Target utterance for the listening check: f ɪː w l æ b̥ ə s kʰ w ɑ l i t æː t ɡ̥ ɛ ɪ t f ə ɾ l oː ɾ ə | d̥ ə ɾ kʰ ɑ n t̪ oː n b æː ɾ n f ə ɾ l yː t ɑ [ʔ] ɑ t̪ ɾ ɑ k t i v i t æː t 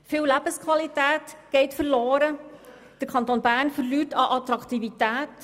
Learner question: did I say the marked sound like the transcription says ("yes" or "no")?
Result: yes